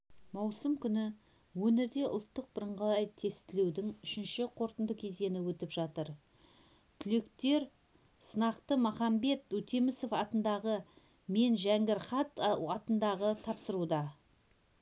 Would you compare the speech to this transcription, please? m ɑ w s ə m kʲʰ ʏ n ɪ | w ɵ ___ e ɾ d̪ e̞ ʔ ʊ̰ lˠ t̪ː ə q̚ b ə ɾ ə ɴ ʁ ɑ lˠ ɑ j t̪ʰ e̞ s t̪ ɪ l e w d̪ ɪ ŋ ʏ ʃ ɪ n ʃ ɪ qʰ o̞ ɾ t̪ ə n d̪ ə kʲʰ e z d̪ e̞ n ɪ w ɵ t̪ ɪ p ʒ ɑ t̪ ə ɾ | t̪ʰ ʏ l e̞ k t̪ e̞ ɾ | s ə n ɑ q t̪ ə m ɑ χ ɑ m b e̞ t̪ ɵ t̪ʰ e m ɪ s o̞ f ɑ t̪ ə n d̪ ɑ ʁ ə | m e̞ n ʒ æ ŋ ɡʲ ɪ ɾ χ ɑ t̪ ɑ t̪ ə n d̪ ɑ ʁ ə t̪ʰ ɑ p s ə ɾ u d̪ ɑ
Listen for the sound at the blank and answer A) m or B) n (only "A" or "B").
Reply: B